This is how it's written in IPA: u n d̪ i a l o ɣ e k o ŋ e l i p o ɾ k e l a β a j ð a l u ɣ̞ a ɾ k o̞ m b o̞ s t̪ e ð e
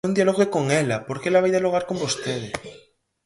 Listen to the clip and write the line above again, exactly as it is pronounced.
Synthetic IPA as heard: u n d̪ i a l o ɣ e k o ŋ e l a p o ɾ k e l a β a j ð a l o ɣ̞ a ɾ k o̞ m b o̞ s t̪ e ð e